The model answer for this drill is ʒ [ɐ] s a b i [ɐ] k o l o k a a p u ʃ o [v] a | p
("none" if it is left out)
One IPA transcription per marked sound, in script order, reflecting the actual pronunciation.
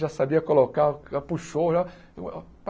a, ɐ, ʒ

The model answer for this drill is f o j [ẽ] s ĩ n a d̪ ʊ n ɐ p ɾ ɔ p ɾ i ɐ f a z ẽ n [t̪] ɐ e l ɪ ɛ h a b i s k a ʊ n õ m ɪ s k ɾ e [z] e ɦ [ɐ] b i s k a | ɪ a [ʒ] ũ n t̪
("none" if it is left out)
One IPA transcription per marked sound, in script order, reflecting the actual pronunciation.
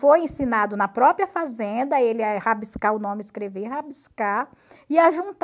ẽ, d̪, v, a, ʒ

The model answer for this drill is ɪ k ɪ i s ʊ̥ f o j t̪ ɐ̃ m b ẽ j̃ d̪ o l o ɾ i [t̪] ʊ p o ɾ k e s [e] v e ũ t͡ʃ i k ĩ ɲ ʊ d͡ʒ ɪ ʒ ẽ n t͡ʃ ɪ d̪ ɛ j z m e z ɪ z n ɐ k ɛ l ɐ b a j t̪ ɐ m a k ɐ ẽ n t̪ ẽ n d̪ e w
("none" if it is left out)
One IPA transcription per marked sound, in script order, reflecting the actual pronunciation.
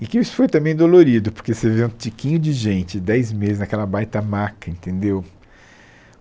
d̪, e

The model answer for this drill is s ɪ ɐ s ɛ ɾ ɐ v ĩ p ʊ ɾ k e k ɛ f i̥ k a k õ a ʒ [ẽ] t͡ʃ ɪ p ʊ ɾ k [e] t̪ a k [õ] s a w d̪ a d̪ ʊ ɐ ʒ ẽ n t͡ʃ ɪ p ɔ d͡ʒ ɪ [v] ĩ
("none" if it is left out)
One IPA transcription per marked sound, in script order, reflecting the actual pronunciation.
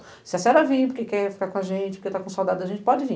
ẽ, e, õ, v

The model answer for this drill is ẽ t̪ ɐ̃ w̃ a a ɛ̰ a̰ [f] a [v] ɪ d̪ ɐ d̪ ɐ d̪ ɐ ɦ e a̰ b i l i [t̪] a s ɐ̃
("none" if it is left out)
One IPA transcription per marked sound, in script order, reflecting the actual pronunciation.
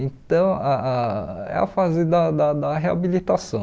f, z, t̪

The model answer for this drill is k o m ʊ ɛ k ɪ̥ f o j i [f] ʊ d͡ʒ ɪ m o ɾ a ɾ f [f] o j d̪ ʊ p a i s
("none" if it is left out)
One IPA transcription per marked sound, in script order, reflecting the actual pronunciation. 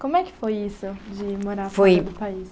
s, f

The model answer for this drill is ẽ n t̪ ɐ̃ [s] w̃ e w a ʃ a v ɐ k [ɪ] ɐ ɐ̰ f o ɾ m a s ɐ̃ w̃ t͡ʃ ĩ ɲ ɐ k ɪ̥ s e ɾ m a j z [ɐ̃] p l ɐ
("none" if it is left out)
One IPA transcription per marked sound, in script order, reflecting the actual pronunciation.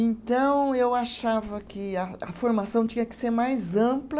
none, ɪ, ɐ̃

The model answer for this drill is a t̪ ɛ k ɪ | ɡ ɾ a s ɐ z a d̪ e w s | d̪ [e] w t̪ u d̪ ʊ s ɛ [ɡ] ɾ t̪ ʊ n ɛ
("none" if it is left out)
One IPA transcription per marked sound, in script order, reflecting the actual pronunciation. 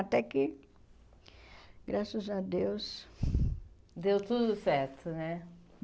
e, none

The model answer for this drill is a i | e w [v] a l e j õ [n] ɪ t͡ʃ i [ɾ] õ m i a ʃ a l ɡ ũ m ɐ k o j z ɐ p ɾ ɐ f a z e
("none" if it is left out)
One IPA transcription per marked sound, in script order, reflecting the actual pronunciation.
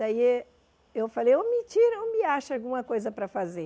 f, m, ɾ

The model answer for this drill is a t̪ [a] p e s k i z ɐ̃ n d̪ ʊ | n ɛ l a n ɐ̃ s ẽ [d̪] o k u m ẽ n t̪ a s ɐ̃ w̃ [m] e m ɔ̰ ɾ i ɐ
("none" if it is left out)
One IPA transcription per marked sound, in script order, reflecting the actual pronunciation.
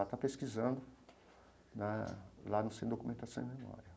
a, d̪, m

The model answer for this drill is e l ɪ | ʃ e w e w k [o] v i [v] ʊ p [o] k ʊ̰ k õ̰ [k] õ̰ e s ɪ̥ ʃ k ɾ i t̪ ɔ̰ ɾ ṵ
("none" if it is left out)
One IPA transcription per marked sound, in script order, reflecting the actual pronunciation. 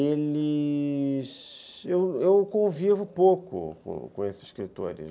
õ, v, o, k

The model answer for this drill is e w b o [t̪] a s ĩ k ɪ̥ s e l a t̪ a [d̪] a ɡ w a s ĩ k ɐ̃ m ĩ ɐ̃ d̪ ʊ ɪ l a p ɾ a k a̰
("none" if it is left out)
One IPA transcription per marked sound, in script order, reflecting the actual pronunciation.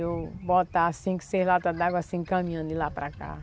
t̪, d̪

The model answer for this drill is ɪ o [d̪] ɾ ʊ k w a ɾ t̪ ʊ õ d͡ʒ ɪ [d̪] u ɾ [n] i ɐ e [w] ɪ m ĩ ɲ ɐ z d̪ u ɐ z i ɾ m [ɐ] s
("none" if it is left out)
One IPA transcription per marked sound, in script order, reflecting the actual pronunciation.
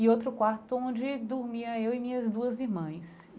t̪, d̪, m, w, ɐ̃

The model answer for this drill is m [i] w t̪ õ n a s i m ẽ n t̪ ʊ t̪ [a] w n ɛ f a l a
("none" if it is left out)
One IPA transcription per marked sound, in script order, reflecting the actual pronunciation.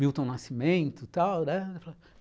i, a

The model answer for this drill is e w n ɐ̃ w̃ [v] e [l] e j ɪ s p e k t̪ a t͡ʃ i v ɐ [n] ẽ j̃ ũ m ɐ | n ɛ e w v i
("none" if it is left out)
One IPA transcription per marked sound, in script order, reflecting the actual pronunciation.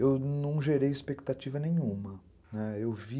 ʒ, ɾ, n

